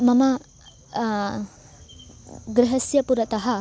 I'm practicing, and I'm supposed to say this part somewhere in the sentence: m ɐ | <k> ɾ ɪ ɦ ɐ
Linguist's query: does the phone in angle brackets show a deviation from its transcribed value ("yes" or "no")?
yes